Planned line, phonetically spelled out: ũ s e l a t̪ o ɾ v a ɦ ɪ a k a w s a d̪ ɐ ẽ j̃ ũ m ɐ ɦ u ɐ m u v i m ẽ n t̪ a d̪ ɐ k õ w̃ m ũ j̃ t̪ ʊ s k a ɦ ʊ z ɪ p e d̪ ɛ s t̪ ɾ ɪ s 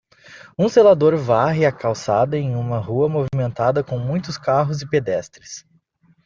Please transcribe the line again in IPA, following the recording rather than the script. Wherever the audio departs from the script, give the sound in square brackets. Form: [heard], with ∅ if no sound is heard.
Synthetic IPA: ũ s e l a [d̪] o ɾ v a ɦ ɪ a k a w s a d̪ ɐ ẽ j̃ ũ m ɐ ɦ u ɐ m [o] v i m ẽ n t̪ a d̪ ɐ k õ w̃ m ũ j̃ t̪ ʊ s k a ɦ ʊ z ɪ p e d̪ ɛ s t̪ ɾ ɪ s